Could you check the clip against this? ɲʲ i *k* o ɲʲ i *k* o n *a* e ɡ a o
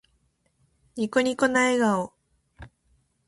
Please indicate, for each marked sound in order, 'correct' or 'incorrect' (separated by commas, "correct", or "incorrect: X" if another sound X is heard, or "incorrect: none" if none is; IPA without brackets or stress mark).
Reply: correct, correct, correct